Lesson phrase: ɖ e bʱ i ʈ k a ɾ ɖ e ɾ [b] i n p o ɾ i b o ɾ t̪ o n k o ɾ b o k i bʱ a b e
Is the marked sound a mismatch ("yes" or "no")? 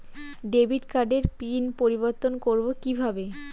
yes